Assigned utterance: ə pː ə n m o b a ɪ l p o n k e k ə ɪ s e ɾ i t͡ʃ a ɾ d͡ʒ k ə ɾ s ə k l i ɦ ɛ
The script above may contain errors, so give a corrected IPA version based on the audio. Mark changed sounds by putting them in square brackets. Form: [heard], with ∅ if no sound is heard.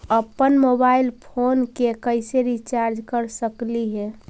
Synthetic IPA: ə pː ə n m o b a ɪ l [pʰ] o n k e k ə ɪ s e ɾ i t͡ʃ a ɾ d͡ʒ k ə ɾ s ə k l i ɦ ɛ